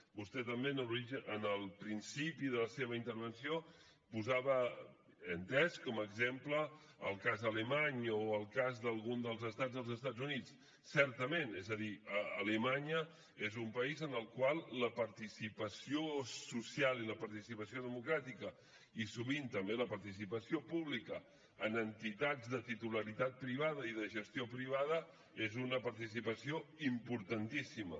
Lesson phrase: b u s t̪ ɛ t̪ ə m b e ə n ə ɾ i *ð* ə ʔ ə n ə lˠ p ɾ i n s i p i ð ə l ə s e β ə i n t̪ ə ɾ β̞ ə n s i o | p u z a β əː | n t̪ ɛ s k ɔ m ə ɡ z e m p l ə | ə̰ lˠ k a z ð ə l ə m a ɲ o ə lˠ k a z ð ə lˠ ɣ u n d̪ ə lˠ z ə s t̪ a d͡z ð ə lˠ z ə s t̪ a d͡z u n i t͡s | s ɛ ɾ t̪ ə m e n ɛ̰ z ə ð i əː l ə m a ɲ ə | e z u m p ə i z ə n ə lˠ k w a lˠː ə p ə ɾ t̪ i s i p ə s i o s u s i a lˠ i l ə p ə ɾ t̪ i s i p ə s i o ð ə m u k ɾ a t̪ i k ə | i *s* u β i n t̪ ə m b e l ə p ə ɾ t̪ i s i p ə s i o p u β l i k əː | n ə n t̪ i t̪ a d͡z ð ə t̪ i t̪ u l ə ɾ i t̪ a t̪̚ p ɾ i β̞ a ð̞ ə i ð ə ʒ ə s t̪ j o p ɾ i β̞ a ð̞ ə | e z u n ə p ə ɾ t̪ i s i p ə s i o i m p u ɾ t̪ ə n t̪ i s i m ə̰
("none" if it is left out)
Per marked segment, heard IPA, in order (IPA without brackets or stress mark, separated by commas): ʒ, s